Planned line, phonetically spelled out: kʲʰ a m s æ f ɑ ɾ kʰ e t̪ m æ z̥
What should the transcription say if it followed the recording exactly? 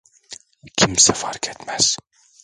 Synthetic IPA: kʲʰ i m s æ f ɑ ɾ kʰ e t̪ m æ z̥